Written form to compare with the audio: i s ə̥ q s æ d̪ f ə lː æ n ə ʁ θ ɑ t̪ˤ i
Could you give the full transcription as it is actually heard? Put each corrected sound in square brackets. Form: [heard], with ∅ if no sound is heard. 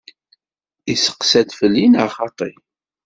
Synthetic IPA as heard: i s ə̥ q s æ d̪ f ə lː [i] n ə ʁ [χ] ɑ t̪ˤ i